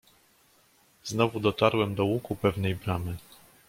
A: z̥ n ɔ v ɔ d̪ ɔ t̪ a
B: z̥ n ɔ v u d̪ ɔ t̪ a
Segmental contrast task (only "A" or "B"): B